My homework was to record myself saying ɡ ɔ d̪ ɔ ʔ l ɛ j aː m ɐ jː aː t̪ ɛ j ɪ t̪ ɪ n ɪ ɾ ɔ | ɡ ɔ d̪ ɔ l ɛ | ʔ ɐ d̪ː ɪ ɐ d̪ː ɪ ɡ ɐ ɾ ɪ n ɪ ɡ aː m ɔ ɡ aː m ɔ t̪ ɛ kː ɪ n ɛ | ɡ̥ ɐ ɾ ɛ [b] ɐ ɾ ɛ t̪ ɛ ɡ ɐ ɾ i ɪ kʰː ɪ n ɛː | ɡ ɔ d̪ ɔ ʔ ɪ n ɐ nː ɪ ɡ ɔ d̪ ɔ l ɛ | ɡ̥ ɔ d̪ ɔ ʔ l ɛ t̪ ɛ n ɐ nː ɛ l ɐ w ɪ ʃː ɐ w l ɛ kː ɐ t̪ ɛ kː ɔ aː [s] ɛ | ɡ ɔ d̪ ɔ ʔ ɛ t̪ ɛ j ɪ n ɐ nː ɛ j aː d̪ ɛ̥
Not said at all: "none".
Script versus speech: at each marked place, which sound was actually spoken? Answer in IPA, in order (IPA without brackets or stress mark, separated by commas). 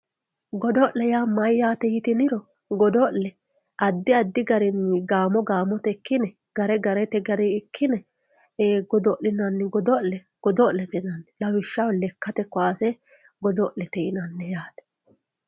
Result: ɡ, s